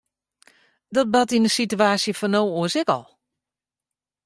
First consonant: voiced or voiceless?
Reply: voiced